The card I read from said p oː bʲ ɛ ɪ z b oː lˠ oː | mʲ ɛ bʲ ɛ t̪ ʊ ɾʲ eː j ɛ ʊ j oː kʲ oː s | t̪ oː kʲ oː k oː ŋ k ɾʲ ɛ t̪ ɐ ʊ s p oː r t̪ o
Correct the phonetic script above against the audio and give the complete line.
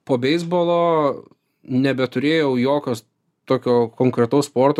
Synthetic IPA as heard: p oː bʲ ɛ ɪ z b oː lˠ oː | nʲ ɛ bʲ ɛ t̪ ʊ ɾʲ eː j ɛ ʊ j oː kʲ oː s | t̪ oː kʲ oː k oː ŋ k ɾʲ ɛ t̪ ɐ ʊ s p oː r t̪ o

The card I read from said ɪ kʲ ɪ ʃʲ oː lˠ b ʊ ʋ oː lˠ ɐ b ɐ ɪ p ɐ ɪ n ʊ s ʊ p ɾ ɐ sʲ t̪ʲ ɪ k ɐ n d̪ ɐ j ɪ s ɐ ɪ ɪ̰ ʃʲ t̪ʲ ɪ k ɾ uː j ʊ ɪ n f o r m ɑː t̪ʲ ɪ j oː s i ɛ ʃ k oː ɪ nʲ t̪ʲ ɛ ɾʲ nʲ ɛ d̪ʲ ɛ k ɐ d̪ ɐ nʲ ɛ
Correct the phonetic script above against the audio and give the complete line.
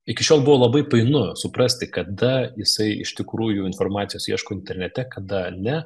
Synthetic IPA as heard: ɪ kʲ ɪ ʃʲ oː lˠ b ʊ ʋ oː lˠ ɐ b ɐ ɪ p ɐ ɪ n ʊ s ʊ p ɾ ɐ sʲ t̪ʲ ɪ k ɐ d̪ ɐ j ɪ s ɐ ɪ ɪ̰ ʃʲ t̪ʲ ɪ k ɾ uː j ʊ ɪ n f o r m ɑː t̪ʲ ɪ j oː s i ɛ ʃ k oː ɪ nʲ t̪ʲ ɛ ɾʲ nʲ ɛ t̪ʲ ɛ k ɐ d̪ ɐ nʲ ɛ

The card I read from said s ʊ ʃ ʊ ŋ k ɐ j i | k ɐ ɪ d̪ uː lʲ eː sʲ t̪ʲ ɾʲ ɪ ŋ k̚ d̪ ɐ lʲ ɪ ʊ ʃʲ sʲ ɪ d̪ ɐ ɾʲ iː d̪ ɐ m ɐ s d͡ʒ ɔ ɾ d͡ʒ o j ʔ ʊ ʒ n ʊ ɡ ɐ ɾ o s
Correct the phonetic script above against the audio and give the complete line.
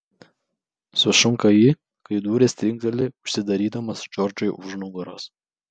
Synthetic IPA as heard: s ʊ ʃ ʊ ŋ k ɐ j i | k ɐ ɪ d̪ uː ɾʲ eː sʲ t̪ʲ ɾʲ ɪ ŋ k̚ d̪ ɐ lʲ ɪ ʊ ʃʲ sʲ ɪ d̪ ɐ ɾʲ iː d̪ ɐ m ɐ s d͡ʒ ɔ ɾ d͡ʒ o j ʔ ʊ ʒ n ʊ ɡ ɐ ɾ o s

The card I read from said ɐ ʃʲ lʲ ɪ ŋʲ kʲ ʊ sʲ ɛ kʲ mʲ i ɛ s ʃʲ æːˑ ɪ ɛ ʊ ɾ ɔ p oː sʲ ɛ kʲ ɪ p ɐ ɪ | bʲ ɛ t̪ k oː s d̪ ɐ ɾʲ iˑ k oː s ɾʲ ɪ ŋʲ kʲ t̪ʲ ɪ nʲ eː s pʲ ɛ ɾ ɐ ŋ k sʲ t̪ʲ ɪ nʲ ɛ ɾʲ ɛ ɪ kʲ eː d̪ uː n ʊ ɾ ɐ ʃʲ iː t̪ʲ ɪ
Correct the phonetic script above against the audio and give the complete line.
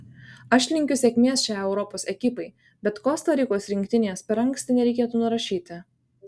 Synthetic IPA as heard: ɐ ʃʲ lʲ ɪ ŋʲ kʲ ʊ sʲ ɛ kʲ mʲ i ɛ s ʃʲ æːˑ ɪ ɛ ʊ ɾ ɔ p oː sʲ ɛ kʲ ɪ p ɐ ɪ | bʲ ɛ t̪ k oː s t̪ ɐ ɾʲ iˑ k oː s ɾʲ ɪ ŋʲ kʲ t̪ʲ ɪ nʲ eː s pʲ ɛ ɾ ɐ ŋ k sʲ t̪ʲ ɪ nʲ ɛ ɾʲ ɛ ɪ kʲ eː t̪ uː n ʊ ɾ ɐ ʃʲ iː t̪ʲ ɪ

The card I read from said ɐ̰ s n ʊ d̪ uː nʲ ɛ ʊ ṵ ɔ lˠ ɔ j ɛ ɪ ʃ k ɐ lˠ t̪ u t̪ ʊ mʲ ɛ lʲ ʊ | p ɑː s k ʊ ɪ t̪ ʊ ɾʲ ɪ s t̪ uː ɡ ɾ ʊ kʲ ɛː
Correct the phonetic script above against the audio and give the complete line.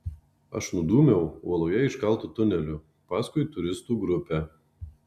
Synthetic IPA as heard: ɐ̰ ʃ n ʊ d̪ uː mʲ ɛ ʊ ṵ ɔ lˠ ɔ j ɛ ɪ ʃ k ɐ lˠ t̪ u t̪ ʊ nʲ ɛ lʲ ʊ | p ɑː s k ʊ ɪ t̪ ʊ ɾʲ ɪ s t̪ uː ɡ ɾ ʊ pʲ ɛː

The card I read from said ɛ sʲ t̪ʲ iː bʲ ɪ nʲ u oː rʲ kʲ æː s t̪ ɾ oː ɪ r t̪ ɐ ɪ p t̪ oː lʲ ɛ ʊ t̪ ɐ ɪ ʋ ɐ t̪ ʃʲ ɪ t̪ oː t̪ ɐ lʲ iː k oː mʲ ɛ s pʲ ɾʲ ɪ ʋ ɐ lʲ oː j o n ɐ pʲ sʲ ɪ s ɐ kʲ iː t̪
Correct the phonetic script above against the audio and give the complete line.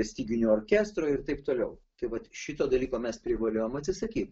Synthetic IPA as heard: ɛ sʲ t̪ʲ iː ɡʲ ɪ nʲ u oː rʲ kʲ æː s t̪ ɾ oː ɪ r t̪ ɐ ɪ p t̪ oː lʲ ɛ ʊ t̪ ɐ ɪ ʋ ɐ t̪ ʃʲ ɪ t̪ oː d̪ ɐ lʲ iː k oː mʲ ɛ s pʲ ɾʲ ɪ ʋ ɐ lʲ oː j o m ɐ tʲ sʲ ɪ s ɐ kʲ iː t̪

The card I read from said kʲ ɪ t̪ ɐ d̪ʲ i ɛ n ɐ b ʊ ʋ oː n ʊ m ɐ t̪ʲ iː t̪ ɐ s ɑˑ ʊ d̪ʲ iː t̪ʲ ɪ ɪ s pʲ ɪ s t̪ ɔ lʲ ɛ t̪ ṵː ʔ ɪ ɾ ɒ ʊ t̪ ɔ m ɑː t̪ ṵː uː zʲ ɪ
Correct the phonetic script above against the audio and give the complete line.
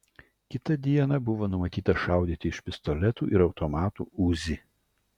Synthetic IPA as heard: kʲ ɪ t̪ ɐ d̪ʲ i ɛ n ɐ b ʊ ʋ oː n ʊ m ɐ t̪ʲ iː t̪ ɐ ʃ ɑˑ ʊ d̪ʲ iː t̪ʲ ɪ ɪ ʃ pʲ ɪ s t̪ ɔ lʲ ɛ t̪ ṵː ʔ ɪ ɾ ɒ ʊ t̪ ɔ m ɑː t̪ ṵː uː zʲ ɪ

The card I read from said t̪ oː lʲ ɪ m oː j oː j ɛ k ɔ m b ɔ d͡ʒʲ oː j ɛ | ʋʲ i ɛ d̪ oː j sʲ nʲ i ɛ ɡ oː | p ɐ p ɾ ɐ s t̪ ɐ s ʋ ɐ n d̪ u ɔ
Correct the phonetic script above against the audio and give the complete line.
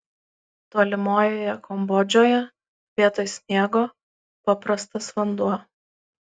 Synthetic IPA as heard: t̪ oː lʲ ɪ m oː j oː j ɛ k ɔ m b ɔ d͡ʒʲ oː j ɛ | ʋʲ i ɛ t̪ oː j sʲ nʲ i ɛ ɡ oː | p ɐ p ɾ ɐ s t̪ ɐ s ʋ ɐ n d̪ u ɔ

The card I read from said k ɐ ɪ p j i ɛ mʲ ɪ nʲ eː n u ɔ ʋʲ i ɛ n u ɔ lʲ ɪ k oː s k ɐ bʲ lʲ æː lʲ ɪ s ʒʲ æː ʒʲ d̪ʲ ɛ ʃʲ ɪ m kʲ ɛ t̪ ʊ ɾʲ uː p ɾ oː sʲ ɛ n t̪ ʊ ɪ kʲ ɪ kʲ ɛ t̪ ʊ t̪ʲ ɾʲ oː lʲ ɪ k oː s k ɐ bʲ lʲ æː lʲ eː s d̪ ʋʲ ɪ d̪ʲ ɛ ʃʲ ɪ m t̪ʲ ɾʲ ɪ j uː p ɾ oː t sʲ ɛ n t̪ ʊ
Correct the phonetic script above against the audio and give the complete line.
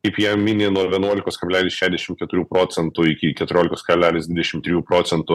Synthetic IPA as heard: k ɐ ɪ p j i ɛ mʲ ɪ nʲ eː n u ɔ ʋʲ i ɛ n u ɔ lʲ ɪ k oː s k ɐ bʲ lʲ æː lʲ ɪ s ʃʲ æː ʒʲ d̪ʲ ɛ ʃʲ ɪ m kʲ ɛ t̪ ʊ ɾʲ uː p ɾ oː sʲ ɛ n t̪ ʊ ɪ kʲ ɪ kʲ ɛ t̪ ʊ ɾʲ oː lʲ ɪ k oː s k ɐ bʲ lʲ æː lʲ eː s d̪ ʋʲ ɪ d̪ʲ ɛ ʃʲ ɪ m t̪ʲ ɾʲ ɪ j uː p ɾ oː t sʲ ɛ n t̪ ʊ

